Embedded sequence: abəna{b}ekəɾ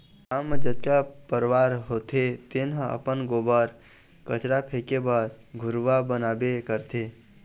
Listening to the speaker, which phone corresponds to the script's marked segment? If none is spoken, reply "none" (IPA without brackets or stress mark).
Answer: b